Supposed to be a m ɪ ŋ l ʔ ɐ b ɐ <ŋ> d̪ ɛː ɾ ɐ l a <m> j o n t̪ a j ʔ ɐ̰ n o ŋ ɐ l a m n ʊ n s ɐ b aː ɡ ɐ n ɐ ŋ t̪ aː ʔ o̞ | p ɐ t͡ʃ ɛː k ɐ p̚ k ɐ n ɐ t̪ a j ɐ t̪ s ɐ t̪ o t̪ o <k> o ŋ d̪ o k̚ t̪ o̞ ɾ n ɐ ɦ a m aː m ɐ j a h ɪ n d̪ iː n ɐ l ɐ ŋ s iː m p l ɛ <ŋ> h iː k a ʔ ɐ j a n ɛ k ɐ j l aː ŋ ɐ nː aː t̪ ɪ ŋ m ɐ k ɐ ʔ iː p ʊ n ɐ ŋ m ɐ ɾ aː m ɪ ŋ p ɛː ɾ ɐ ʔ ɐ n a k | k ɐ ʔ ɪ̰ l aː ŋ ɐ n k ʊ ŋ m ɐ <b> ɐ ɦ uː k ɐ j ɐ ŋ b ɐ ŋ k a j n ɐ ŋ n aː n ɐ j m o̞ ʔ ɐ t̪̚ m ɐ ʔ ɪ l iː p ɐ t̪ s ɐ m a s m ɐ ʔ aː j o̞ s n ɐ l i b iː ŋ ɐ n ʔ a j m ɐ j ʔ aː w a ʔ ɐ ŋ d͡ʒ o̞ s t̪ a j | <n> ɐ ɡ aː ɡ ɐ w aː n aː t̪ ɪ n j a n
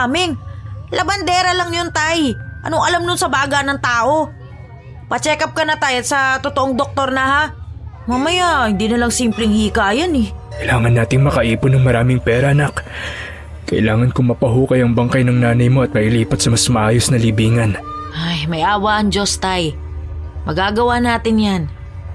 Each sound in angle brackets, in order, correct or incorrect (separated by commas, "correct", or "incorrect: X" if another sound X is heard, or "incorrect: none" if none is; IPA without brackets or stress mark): incorrect: n, incorrect: ŋ, incorrect: ʔ, correct, incorrect: p, incorrect: m